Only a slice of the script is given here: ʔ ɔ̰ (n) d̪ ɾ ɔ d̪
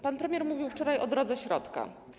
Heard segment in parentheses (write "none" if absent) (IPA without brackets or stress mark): none